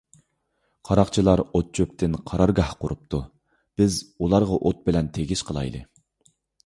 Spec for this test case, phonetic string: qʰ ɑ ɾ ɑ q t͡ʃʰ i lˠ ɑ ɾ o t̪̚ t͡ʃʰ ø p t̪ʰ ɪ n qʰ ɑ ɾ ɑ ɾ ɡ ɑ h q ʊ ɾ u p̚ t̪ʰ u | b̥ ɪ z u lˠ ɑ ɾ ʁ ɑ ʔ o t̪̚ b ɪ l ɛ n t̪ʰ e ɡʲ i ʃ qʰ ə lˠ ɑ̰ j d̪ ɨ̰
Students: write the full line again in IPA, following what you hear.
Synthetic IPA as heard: qʰ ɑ ɾ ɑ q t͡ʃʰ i lˠ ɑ ɾ o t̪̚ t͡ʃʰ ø p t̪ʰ ɪ n qʰ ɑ ɾ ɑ ɾ ɡ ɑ h q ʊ ɾ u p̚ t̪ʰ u | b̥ ɪ z u lˠ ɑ ɾ ʁ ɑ ʔ o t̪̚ b ɪ l ɛ n t̪ʰ e ɡʲ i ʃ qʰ ə lˠ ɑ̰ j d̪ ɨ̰

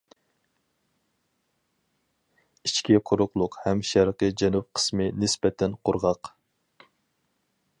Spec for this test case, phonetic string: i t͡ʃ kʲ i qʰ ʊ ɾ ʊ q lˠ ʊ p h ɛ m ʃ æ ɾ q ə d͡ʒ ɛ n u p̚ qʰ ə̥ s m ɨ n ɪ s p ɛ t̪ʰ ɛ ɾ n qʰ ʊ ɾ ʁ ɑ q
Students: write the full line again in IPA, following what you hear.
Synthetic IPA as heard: i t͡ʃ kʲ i qʰ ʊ ɾ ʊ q lˠ ʊ q h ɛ m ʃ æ ɾ q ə d͡ʒ ɛ n u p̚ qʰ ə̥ s m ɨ n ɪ s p ɛ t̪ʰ ɛ n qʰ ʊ ɾ ʁ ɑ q

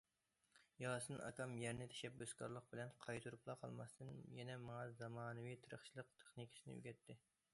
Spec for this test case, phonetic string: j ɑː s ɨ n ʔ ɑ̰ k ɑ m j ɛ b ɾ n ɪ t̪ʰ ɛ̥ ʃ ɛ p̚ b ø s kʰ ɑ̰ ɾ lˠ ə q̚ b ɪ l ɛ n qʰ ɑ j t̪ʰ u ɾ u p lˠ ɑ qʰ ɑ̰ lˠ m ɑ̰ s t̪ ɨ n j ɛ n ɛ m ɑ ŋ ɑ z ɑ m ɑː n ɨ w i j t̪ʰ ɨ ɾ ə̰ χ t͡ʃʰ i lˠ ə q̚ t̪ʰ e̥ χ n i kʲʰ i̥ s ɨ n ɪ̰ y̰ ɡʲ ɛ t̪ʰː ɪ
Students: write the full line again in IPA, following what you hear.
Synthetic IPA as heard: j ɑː s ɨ n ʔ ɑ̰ k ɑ m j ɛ ɾ n ɪ t̪ʰ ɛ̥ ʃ ɛ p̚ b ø s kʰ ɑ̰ ɾ lˠ ə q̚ b ɪ l ɛ n qʰ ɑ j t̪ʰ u ɾ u p lˠ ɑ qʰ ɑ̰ lˠ m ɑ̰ s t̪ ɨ n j ɛ n ɛ m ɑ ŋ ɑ z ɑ m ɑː n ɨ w i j t̪ʰ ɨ ɾ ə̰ χ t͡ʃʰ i lˠ ə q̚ t̪ʰ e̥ χ n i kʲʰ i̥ s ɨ n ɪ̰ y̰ ɡʲ ɛ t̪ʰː ɪ

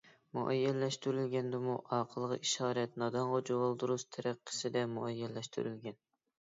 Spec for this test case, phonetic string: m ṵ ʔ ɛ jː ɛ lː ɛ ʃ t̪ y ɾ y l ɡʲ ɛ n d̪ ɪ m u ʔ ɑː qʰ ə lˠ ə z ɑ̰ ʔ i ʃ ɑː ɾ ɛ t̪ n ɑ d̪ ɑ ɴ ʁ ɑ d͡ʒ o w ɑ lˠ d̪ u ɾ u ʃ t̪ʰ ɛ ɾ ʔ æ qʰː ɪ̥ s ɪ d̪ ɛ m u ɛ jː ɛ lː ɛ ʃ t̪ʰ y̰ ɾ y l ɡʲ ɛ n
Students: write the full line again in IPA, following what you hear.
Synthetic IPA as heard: m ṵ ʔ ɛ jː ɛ lː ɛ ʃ t̪ y ɾ y l ɡʲ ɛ n d̪ ɪ m u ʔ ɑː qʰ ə lˠ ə ʁ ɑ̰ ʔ i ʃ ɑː ɾ ɛ t̪ n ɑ d̪ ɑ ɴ ʁ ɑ d͡ʒ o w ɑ lˠ d̪ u ɾ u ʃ t̪ʰ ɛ ɾ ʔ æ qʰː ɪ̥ s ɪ d̪ ɛ m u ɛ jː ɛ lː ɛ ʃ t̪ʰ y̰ ɾ y l ɡʲ ɛ n

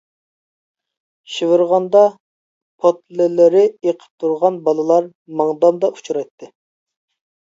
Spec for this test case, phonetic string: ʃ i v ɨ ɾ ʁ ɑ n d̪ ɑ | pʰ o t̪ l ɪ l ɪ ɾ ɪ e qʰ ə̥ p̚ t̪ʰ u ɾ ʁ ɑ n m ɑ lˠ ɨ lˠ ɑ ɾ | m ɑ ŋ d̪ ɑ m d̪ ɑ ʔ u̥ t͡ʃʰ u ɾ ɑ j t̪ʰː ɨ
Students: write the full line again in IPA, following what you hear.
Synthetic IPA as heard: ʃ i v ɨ ɾ ʁ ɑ n d̪ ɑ | pʰ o t̪ l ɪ l ɪ ɾ ɪ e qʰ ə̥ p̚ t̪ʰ u ɾ ʁ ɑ n b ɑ lˠ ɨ lˠ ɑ ɾ | m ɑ ŋ d̪ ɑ m d̪ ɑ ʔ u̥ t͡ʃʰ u ɾ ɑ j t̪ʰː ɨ

